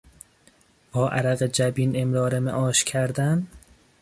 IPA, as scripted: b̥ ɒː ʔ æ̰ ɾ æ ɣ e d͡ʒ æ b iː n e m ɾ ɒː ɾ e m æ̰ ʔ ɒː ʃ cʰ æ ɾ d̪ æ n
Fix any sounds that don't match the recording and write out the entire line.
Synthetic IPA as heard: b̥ ɒː ʔ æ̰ ɾ æ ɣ e d͡ʒ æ b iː n e m ɾ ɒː ɾ e m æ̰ ʔ ɒː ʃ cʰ æ ɾ d̪ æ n